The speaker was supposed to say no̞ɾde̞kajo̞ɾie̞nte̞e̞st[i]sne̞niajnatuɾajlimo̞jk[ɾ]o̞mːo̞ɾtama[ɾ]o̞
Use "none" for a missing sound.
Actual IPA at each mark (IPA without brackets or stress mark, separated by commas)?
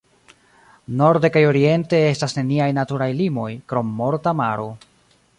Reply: a, ɾ, ɾ